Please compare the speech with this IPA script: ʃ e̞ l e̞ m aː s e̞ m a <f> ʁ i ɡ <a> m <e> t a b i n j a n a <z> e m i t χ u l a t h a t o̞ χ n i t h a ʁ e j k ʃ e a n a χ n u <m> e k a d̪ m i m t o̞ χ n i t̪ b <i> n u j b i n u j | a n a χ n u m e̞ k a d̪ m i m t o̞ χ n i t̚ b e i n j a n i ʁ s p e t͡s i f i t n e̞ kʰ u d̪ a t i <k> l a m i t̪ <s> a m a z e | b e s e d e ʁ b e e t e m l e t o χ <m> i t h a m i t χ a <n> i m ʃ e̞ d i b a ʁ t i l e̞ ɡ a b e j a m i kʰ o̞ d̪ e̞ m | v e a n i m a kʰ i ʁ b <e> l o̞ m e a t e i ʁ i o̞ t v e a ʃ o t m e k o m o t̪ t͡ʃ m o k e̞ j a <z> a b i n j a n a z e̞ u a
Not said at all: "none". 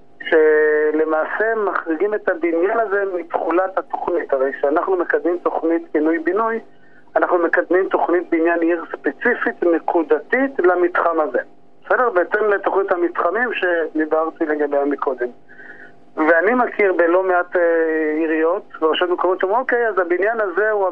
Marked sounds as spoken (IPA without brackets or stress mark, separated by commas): χ, i, e, z, m, i, t, χ, n, m, e, z